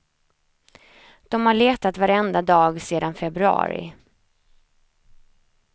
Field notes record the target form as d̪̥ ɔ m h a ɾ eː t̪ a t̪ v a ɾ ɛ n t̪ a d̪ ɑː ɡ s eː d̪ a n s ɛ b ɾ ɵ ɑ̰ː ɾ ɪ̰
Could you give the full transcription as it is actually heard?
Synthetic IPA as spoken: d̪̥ ɔ m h a ɭ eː t̪ a t̪ v a ɾ ɛ n d̪ a d̪ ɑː ɡ s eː d̪ a n f ɛ b ɾ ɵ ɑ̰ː ɾ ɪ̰

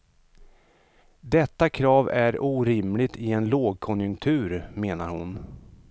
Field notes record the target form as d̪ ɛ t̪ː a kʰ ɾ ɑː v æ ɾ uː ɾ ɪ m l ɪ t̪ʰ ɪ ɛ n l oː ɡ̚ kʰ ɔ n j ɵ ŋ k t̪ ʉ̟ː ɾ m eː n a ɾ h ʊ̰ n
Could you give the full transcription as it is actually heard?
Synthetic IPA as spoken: d̪ ɛ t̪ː a kʰ ɾ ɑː v æ ɾ uː ɾ ɪ m l ɪ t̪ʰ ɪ ɛ n l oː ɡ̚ kʰ ɔ n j ɵ ŋ k t̪ʰ ʉ̟ː ɾ m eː n a ɾ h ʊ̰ n

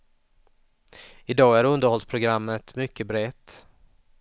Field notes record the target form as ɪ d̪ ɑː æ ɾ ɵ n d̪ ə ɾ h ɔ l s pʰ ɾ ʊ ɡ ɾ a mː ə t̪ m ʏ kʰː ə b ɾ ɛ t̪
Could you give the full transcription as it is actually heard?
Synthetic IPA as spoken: ɪ d̪ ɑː æ ɾ ɵ n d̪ ə ɾ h ɔ l s pʰ ɾ ʊ ɡ ɾ a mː ə t̪ m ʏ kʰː ə b ɾ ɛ t̪

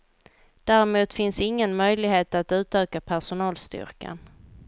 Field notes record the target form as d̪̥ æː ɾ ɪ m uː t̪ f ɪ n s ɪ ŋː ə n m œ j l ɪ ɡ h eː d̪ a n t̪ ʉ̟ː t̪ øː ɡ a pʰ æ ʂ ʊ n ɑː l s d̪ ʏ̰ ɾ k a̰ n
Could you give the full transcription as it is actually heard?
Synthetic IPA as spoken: d̪̥ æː ɾ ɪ m uː t̪ f ɪ n s ɪ ŋː ə n m œ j l ɪ ɡ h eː t̪ a t̪ ʉ̟ː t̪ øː k a pʰ æ ʂ ʊ n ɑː l s t̪ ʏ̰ ɾ k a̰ n

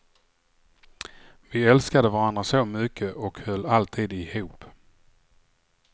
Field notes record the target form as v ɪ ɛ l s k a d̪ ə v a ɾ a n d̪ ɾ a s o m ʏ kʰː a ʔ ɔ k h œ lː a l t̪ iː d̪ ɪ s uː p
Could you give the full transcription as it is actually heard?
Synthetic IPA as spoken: v ɪ ɛ l s k a d̪ ə v a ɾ a n d̪ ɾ a s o m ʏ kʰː ə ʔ ɔ k h œ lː a l t̪ʰ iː d̪ ɪ h uː p

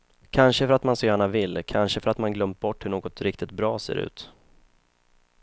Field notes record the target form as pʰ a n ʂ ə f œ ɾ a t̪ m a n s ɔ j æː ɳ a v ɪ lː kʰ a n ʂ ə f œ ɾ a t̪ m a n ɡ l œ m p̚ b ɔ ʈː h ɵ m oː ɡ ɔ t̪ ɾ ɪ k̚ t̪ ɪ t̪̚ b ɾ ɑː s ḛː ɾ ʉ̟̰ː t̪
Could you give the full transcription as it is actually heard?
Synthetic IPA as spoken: kʰ a n ʂ ə f œ ɾ a t̪ m a n s ɔ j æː ɳ a v ɪ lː kʰ a n ʂ ə f œ ɾ a t̪ m a n ɡ l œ m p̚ b ɔ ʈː h ɵ ɳ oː ɡ ɔ t̪ ɾ ɪ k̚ t̪ ɪ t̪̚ b ɾ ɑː s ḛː ɾ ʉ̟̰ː t̪

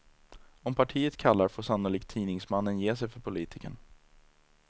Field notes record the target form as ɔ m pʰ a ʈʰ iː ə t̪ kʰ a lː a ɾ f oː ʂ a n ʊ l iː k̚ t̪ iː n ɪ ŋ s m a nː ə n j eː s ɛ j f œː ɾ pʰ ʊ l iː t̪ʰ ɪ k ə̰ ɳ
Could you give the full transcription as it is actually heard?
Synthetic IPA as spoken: ɔ m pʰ a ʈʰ iː ə t̪ kʰ a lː a ɾ f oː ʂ a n ʊ l iː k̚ t̪ʰ iː n ɪ ŋ s m a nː ə n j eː s ɛ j f œ ɾ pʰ ʊ l iː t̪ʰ ɪ k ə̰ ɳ

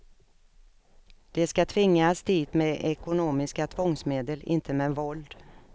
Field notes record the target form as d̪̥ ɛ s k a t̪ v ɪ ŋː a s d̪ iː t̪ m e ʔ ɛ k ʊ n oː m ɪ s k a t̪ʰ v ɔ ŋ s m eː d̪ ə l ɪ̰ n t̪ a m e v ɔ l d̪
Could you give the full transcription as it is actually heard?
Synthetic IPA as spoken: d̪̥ ɛ s k a t̪ʰ v ɪ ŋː a s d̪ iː t̪ m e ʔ ɛ k ʊ n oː m ɪ s k a t̪ʰ v ɔ ŋ s m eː d̪ ə l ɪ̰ n t̪ ə m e v ɔ l d̪

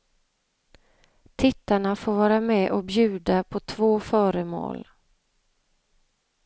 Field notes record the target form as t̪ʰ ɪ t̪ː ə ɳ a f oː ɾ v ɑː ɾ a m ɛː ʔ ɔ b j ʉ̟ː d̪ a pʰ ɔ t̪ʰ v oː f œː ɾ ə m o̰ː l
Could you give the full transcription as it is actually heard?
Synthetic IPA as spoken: t̪ʰ ɪ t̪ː a ɳ a f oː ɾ v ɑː ɾ a m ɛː ʔ ɔ b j ʉ̟ː d̪ a pʰ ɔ t̪ʰ v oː f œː ɾ ə m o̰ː l

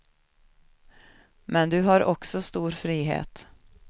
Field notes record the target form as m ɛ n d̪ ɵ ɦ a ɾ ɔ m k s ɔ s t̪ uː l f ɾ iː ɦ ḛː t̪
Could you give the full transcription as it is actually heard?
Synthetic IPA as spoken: m ɛ n d̪ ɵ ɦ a ɾ ɔ k s ɔ s t̪ uː ɾ f ɾ iː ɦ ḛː t̪

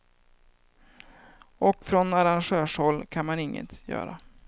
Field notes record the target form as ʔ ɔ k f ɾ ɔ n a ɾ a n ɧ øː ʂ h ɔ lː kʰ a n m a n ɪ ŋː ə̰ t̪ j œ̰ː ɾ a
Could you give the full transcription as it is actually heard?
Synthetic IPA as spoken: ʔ ɔ k f ɾ ɔ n a ɾ a n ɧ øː ʂ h ɔ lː kʰ a n m a n ɪ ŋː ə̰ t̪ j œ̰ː ɾ a

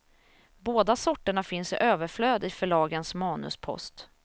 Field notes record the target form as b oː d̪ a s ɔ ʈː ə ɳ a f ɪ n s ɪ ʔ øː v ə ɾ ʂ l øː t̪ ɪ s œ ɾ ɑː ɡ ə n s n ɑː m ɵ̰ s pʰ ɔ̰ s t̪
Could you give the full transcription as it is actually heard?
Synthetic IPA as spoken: b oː d̪ a s ɔ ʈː ə ɳ a f ɪ n s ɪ ʔ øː v ə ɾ f l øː d̪ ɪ f œ ɭ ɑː ɡ ə n s m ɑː n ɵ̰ s pʰ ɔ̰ s t̪

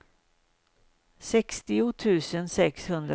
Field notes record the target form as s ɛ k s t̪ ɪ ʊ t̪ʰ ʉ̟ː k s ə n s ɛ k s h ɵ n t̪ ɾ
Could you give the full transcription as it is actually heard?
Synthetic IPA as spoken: s ɛ k s t̪ ɪ ʊ t̪ʰ ʉ̟ː s ə n s ɛ k s h ɵ n d̪ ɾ

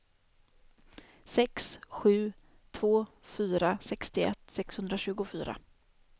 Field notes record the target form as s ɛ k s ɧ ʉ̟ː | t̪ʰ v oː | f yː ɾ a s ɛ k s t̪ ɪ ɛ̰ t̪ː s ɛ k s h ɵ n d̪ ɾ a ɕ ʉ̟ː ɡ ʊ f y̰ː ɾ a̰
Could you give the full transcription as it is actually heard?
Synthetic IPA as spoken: s ɛ k s ɧ ʉ̟ː | t̪ʰ v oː | f yː ɾ a s ɛ k s t̪ ɪ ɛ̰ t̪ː s ɛ k s h ɵ n d̪ ɾ a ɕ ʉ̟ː ɡ ʊ f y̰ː ɾ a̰

